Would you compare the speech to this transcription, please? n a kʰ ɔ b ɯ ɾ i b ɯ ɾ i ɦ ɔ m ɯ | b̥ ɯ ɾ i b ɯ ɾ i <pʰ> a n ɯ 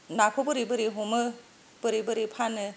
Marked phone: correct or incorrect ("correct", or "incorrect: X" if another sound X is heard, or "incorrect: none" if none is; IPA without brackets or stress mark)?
correct